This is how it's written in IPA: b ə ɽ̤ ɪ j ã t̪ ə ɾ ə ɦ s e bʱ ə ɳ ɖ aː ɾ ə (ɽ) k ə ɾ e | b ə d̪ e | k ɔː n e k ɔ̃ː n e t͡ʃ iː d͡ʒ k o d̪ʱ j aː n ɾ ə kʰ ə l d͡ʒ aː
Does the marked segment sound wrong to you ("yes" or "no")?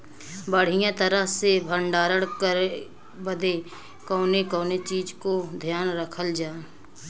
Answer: no